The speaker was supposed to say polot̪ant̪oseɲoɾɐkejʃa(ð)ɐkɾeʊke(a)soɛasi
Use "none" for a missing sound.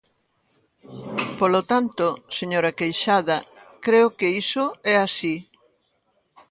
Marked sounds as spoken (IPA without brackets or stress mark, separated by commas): ð, i